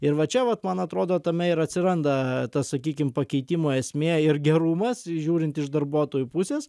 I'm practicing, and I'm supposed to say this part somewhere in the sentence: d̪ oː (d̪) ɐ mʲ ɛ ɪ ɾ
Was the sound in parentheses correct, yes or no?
no